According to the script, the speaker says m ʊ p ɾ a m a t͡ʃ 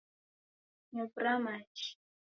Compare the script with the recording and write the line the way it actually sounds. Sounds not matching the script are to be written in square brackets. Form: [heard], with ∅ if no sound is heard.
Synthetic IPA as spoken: [ɲ] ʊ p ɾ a m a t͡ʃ